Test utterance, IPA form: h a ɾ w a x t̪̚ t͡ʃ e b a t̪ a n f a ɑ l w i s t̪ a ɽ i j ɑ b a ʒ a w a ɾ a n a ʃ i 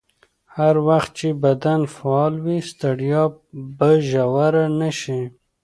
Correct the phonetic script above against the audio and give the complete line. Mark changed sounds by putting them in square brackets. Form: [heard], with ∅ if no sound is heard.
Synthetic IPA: h a ɾ w a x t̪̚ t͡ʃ e b a [d̪] a n f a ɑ l w i s t̪ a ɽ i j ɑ b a ʒ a w a ɾ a n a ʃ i